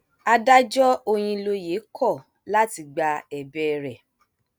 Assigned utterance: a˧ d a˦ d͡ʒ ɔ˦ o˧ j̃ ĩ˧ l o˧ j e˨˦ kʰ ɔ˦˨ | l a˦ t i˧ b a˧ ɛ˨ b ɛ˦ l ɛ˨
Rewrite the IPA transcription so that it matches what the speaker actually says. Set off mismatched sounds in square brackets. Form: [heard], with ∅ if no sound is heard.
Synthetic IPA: a˧ d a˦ d͡ʒ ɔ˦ o˧ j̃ ĩ˧ l o˧ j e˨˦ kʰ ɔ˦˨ | l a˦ t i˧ [ɡ͡b] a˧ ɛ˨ b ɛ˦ [ɾ] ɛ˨